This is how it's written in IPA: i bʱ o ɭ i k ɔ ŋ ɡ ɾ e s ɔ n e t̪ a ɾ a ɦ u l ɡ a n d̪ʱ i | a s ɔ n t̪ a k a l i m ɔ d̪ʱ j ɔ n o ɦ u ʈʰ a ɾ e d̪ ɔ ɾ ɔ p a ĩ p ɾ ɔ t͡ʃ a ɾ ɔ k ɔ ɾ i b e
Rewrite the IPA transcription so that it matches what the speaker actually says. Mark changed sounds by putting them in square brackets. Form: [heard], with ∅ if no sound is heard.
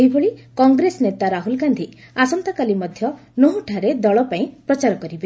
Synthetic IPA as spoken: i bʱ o ɭ i k ɔ ŋ ɡ ɾ e s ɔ n e t̪ a ɾ a ɦ u l ɡ a n d̪ʱ i | a s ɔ n t̪ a k a l i m ɔ d̪ʱ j ɔ n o ɦ u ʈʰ a ɾ e d̪ ɔ [ɭ] ɔ p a ĩ p ɾ ɔ t͡ʃ a ɾ ɔ k ɔ ɾ i b e